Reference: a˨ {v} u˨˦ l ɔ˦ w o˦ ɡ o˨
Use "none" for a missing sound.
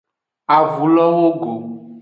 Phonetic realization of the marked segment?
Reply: v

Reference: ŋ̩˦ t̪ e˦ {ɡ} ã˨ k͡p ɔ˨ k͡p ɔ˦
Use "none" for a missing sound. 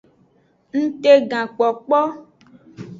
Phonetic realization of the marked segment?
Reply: ɡ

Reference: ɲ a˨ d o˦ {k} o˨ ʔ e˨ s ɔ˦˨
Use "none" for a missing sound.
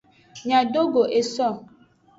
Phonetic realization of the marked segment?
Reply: ɡ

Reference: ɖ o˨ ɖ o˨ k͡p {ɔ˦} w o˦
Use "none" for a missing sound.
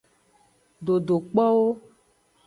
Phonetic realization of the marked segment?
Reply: ɔ˦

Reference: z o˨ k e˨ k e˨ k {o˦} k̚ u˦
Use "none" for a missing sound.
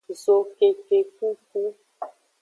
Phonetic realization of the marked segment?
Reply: u˦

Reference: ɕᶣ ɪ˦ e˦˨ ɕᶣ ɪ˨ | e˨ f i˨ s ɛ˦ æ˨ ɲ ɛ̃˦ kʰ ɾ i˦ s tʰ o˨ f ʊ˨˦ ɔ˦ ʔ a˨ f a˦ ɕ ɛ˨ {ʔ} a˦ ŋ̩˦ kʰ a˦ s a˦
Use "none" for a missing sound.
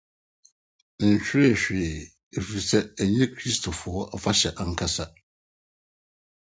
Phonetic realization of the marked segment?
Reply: ʔ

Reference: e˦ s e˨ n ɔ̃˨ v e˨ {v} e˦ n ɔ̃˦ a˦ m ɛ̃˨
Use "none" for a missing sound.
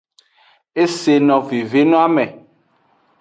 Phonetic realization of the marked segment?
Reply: v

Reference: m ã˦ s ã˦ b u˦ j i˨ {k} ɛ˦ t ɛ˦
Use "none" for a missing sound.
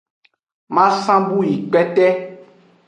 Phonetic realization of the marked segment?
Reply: k͡p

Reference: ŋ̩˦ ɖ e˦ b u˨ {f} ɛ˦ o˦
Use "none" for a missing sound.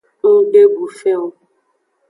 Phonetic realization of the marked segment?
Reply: f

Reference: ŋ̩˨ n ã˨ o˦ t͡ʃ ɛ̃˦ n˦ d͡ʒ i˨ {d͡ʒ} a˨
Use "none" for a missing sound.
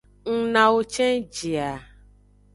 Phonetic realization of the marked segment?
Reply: none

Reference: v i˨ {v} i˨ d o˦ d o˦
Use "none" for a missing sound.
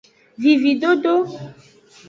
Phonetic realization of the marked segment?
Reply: v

